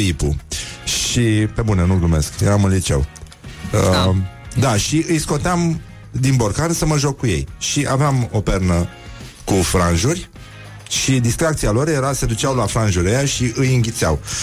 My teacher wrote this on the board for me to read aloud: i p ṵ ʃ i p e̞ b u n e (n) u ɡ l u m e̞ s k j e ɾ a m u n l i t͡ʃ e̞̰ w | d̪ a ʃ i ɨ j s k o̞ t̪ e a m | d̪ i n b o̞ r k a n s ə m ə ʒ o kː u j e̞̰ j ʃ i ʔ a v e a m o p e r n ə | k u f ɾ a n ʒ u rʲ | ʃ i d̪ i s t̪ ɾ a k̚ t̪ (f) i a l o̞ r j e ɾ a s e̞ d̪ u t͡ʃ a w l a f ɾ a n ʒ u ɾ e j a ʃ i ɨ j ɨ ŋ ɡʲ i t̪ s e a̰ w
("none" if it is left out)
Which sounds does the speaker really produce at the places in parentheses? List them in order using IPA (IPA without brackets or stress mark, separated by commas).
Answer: n, s